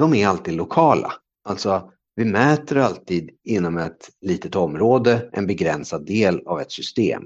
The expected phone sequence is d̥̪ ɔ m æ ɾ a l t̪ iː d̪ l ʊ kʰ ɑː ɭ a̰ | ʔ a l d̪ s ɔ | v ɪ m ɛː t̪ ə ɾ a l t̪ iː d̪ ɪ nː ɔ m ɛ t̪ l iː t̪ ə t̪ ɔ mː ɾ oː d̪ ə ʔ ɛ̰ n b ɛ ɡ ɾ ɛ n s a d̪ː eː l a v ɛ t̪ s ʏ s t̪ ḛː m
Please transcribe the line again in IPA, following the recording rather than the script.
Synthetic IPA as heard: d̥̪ ɔ m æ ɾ a l t̪ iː d̪ l ʊ kʰ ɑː l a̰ | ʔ a l t̪ s ɔ | v ɪ m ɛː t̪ ə ɾ a l t̪ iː d̪ ɪ nː ɔ m ɛ t̪ l iː t̪ ə t̪ ɔ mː ɾ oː d̪ ə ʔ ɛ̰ n b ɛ ɡ ɾ ɛ n s a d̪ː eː l a v ɛ t̪ s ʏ s t̪ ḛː m